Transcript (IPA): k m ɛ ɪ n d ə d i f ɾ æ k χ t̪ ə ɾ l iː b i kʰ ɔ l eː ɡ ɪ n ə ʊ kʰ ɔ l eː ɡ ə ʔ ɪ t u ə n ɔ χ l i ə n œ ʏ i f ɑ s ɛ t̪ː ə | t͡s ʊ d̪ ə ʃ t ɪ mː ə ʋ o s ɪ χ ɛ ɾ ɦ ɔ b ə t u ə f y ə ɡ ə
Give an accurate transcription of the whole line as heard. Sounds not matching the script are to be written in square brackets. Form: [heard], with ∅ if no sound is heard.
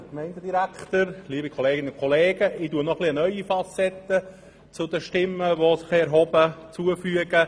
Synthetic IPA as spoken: k m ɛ ɪ n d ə d i [∅] ɾ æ k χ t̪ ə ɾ l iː b i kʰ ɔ l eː ɡ ɪ n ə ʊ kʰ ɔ l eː ɡ ə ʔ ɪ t u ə n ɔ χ l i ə n œ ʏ i f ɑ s ɛ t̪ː ə | t͡s ʊ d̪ ə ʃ t ɪ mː ə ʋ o s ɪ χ ɛ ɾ ɦ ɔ b ə [t͡s] u ə f y ə ɡ ə